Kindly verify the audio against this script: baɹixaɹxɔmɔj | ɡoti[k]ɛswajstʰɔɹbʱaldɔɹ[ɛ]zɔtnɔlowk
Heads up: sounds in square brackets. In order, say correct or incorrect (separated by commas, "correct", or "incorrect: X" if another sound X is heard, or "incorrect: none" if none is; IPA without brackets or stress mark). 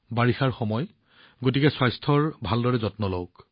correct, correct